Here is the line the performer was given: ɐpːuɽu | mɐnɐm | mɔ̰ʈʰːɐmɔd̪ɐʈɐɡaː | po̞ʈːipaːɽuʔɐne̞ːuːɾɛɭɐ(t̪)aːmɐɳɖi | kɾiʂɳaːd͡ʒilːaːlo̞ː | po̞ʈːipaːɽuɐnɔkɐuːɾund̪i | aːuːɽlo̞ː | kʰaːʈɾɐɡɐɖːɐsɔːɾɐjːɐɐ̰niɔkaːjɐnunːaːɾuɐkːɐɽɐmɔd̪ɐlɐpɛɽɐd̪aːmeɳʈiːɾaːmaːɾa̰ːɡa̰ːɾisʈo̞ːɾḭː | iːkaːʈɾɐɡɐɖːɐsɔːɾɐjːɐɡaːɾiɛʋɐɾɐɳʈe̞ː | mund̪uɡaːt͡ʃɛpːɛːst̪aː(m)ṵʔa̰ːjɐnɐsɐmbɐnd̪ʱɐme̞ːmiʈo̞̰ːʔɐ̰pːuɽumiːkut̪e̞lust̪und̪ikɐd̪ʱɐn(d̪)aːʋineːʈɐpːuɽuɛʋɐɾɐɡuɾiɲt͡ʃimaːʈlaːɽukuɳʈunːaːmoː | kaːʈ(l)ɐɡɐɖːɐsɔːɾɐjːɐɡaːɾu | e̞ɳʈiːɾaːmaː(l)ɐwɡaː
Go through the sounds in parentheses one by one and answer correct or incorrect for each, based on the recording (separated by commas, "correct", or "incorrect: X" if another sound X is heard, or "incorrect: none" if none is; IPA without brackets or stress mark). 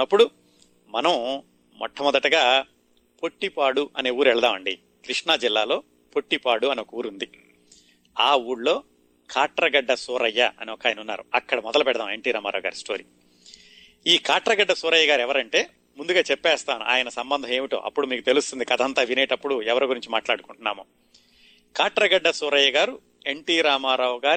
incorrect: d̪, incorrect: n, incorrect: t̪, incorrect: ɾ, incorrect: ɾ